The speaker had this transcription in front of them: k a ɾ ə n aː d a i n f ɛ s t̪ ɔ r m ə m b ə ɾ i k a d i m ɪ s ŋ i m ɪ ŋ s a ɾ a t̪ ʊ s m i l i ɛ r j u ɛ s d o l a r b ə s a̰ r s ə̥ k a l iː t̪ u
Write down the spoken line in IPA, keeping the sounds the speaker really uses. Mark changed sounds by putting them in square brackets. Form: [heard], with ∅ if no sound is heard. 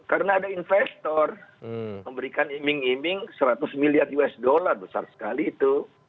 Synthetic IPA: k a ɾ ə n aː d a i n f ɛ s t̪ ɔ r m ə m b ə ɾ i k a [n] i m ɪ [∅] ŋ i m ɪ ŋ s [ə] ɾ a t̪ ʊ s m i l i [a] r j u ɛ s d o l a r b ə s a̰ r s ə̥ k a l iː t̪ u